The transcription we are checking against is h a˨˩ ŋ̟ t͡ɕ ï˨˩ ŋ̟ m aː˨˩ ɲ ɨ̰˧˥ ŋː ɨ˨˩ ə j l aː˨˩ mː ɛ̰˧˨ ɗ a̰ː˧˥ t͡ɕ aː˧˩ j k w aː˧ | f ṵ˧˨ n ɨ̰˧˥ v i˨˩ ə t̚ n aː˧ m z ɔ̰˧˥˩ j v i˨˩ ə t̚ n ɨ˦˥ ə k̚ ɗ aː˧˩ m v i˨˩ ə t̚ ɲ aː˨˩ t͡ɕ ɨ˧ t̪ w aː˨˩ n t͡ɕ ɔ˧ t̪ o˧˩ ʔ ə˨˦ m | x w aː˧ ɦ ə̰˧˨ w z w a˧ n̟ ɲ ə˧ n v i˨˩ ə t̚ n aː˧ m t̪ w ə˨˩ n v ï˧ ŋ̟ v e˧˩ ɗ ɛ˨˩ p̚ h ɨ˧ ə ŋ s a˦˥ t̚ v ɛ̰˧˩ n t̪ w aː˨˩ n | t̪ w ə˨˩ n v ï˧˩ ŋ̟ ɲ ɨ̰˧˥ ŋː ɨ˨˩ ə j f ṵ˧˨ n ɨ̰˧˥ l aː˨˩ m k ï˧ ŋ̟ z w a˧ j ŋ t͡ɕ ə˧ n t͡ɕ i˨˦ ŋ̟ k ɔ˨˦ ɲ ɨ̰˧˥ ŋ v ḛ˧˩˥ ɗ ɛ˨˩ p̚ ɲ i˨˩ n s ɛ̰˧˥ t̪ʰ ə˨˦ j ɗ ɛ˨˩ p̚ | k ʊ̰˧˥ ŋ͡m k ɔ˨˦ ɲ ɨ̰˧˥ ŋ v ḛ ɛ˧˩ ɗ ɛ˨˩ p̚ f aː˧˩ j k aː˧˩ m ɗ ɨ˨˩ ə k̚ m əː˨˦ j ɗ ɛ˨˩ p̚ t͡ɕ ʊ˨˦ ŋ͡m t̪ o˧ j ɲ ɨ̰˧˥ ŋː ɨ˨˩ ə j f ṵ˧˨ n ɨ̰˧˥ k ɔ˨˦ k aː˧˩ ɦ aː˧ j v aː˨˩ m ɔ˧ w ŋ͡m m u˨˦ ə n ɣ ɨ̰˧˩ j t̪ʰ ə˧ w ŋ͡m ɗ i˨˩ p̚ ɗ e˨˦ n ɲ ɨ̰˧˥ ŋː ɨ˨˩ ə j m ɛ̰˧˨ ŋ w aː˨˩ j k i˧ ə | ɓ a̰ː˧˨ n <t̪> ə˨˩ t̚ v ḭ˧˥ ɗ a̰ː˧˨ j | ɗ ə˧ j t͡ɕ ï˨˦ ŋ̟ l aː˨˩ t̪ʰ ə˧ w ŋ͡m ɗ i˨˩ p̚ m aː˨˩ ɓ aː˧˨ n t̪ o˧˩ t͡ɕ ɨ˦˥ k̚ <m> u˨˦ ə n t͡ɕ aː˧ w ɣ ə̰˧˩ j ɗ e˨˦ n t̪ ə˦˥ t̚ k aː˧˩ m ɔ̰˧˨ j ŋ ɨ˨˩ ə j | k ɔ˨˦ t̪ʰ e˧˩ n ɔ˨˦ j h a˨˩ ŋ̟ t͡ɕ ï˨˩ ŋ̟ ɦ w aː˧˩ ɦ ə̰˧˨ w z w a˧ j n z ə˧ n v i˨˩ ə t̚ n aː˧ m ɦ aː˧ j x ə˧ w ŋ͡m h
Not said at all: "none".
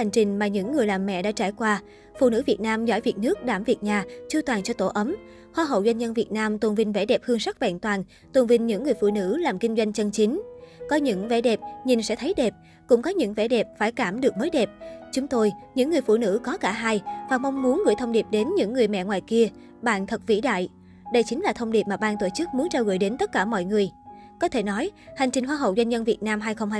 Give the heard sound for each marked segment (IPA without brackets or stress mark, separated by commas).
t̪ʰ, m